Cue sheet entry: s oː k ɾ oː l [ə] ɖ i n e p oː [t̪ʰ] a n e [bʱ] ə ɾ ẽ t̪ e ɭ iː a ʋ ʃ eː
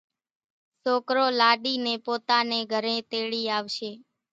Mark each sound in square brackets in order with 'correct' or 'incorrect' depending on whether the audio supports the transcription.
incorrect, incorrect, incorrect

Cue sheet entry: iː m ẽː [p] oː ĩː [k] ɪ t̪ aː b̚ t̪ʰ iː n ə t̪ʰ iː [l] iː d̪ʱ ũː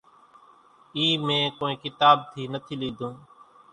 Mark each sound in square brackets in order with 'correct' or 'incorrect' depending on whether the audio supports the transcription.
incorrect, correct, correct

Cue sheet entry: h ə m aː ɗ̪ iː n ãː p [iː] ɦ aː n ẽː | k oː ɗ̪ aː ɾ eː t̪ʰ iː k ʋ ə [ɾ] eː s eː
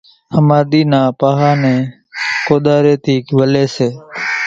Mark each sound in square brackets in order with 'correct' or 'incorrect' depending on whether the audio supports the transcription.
incorrect, incorrect

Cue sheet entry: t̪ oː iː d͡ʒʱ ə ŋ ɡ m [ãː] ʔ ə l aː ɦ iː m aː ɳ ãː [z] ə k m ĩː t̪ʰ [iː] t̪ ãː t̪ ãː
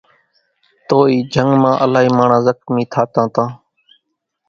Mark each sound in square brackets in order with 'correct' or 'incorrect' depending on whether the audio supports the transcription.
correct, correct, incorrect

